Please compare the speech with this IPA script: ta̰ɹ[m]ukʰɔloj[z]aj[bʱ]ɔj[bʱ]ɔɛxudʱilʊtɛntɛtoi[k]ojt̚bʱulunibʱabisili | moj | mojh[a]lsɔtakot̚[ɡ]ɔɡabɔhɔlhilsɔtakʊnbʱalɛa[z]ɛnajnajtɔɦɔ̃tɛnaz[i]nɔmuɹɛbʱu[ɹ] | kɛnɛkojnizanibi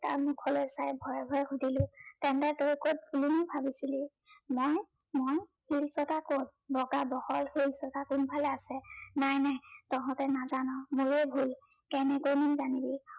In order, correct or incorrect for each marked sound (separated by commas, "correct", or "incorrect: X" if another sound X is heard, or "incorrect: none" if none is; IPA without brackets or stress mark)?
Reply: correct, incorrect: s, correct, correct, correct, incorrect: i, incorrect: b, incorrect: s, incorrect: a, incorrect: l